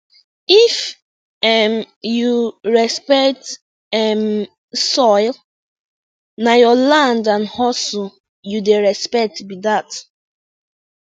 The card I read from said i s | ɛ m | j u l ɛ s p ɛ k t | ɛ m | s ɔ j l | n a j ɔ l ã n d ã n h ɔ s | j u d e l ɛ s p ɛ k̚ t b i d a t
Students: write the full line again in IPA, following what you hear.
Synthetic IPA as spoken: i f | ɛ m | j u ɹ ɛ s p ɛ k t | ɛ m | s ɔ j l | n a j ɔ l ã n d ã n h ɔ s | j u d e ɹ ɛ s p ɛ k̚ t b i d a t